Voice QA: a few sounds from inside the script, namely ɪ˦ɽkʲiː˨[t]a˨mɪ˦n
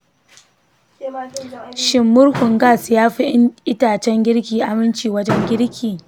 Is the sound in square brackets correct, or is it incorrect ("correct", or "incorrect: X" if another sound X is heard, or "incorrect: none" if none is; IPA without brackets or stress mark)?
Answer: incorrect: ʔ